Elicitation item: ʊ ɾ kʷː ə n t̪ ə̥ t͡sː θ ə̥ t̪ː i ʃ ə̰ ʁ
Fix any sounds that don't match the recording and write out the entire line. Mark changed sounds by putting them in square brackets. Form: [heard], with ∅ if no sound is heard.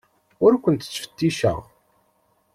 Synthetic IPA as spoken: ʊ ɾ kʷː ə n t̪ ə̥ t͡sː [f] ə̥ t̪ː i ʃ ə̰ ʁ